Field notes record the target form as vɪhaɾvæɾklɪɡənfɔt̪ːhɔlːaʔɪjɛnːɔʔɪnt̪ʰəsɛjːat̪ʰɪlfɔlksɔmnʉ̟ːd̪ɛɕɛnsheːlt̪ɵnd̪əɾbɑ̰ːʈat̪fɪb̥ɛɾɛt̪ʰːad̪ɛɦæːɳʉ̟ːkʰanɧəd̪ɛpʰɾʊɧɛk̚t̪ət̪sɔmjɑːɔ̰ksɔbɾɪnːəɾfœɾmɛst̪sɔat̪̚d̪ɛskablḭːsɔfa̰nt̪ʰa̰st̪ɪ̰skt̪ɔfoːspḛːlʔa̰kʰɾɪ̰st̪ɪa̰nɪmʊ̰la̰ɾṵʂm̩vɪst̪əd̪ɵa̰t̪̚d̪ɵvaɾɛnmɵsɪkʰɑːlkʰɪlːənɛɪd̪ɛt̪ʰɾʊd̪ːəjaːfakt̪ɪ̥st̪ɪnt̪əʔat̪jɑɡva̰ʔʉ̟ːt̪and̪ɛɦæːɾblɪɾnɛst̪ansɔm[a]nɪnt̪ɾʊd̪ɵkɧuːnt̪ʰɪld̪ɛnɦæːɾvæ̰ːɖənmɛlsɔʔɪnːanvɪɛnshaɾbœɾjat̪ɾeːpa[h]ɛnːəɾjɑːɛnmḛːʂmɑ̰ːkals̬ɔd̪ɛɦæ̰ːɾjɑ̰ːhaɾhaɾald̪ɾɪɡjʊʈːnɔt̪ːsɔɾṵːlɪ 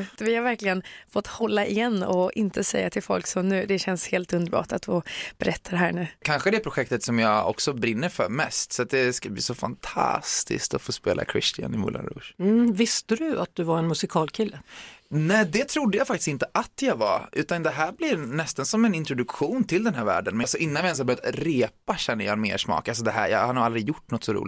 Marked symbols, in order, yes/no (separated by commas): no, no